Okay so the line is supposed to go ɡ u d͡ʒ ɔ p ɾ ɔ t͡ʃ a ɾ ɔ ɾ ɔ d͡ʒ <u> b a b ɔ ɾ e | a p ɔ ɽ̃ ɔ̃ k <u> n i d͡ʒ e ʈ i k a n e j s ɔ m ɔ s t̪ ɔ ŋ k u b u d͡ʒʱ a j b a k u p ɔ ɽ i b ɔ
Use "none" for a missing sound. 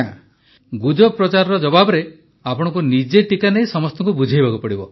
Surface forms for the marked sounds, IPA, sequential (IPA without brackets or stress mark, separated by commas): ɔ, u